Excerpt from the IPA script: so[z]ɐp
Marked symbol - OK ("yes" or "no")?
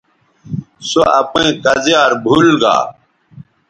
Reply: no